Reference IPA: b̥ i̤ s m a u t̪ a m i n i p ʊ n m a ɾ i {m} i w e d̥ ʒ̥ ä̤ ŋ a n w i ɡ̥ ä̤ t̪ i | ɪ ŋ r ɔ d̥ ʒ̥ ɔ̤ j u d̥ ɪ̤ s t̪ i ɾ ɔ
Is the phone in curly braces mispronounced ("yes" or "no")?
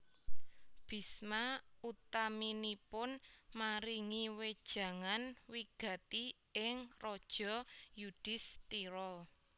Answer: yes